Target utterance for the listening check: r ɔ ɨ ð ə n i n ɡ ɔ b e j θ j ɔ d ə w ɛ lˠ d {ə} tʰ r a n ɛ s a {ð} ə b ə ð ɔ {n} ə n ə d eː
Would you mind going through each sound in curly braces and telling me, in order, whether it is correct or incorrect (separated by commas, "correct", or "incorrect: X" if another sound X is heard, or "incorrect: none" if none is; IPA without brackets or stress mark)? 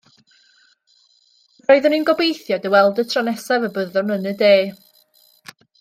correct, incorrect: v, correct